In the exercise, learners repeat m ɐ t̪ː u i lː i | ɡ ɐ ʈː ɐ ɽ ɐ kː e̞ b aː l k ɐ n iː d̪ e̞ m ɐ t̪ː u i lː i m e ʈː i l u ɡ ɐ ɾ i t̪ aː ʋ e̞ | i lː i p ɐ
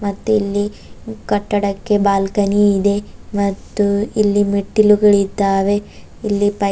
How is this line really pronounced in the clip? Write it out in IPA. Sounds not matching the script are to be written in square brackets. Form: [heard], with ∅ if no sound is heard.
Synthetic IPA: m ɐ t̪ː u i lː i | [k] ɐ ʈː ɐ ɽ ɐ kː e̞ b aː l k ɐ n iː d̪ e̞ m ɐ t̪ː u i lː i m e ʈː i l u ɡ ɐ [ɭ] i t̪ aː ʋ e̞ | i lː i p ɐ